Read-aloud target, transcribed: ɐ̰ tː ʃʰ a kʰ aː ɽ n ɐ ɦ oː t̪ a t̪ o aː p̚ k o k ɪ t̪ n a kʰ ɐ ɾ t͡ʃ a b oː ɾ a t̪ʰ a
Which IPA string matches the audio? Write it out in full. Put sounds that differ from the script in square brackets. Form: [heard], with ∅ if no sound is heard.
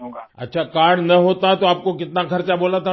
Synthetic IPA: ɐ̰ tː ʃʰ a [k] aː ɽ n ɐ ɦ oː t̪ a t̪ o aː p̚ k o k ɪ t̪ n a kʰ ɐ ɾ t͡ʃ a b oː [l] a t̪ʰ a